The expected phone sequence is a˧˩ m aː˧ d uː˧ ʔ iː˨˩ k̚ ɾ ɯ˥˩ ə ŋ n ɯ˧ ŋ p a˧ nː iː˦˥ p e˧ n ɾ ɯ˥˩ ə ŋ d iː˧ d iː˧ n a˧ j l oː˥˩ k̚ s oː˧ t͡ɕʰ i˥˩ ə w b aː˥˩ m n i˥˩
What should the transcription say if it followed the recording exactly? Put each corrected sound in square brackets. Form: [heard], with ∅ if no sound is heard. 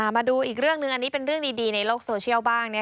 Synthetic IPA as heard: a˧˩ m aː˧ d uː˧ ʔ iː˨˩ k̚ ɾ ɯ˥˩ ə ŋ n ɯ˧ ŋ [ʔ] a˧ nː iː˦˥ p e˧ n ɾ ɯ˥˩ ə ŋ d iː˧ d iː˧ n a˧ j l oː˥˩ k̚ s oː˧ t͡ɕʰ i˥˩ ə w b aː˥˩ [ŋ] n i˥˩